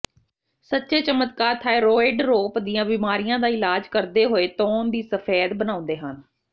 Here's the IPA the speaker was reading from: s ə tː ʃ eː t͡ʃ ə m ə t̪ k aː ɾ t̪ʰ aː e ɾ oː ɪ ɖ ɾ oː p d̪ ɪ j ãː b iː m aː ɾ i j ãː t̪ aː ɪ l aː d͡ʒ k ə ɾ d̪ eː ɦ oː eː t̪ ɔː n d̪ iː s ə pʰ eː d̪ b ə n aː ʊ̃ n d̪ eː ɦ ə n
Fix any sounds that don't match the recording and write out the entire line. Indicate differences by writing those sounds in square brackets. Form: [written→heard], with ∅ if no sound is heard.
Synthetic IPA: s ə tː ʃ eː t͡ʃ ə m ə t̪ k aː ɾ t̪ʰ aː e ɾ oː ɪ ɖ ɾ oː p d̪ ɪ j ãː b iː m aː ɾ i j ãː [t̪→d̪] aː ɪ l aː d͡ʒ k ə ɾ d̪ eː ɦ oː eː t̪ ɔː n d̪ iː s ə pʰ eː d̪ b ə n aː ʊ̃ n d̪ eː ɦ ə n